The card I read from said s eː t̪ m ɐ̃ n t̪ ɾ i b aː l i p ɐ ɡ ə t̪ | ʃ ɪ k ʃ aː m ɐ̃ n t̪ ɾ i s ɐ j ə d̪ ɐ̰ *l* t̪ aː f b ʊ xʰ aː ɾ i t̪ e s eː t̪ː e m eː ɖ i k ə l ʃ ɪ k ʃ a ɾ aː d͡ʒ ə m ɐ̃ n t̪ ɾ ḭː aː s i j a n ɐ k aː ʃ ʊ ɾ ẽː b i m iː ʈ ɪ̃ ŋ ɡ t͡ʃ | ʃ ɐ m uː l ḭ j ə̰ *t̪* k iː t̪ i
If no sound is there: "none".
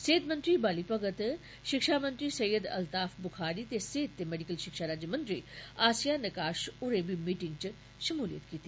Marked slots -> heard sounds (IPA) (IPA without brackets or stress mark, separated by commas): l, t̪